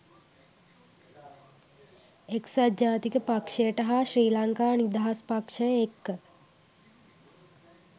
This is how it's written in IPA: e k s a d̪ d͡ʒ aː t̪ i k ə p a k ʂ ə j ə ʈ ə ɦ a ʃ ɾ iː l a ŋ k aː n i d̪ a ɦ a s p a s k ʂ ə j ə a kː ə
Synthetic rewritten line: e k s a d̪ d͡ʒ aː t̪ i k ə p a k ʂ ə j ə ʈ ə ɦ a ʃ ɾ iː l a ŋ k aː n i d̪ a ɦ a s p a k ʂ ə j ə e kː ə